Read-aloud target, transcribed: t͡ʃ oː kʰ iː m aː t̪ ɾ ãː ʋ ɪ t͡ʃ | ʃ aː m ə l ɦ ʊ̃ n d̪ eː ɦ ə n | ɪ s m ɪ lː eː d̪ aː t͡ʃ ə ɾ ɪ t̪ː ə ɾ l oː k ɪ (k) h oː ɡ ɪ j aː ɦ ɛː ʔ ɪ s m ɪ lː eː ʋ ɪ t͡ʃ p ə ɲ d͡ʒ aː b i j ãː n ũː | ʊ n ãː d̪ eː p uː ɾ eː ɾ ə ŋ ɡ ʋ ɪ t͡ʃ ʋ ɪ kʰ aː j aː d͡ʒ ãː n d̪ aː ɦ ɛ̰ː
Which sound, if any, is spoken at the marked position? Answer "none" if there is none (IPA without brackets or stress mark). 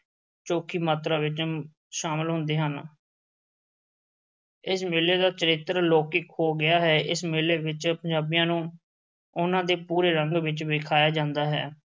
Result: k